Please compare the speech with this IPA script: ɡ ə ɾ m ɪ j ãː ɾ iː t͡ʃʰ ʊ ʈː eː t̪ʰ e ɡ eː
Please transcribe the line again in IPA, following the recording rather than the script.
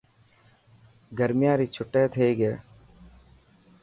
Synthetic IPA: ɡ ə ɾ m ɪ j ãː ɾ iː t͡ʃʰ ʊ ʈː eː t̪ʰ e ɡ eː